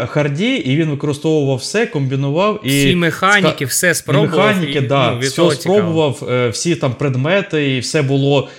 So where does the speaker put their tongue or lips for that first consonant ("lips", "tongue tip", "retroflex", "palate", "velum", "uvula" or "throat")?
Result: velum